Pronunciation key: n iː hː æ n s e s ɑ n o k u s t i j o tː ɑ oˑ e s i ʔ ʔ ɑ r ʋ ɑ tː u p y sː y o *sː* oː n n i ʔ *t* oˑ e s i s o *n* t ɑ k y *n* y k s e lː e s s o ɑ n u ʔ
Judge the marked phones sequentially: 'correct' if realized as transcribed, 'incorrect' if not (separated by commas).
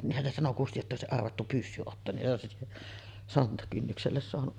incorrect, incorrect, correct, incorrect